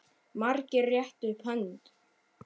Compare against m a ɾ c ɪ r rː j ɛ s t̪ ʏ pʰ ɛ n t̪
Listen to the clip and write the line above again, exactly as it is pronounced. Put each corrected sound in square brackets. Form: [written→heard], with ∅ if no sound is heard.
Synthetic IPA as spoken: m a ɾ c ɪ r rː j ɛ [s→h] t̪ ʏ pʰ [ɛ→œ] n t̪